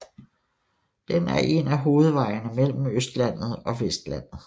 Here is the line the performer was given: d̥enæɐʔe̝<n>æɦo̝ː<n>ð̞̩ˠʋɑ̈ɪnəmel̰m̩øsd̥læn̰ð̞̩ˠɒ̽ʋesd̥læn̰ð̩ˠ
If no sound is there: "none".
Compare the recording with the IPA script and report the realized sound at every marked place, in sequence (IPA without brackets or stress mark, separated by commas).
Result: n, none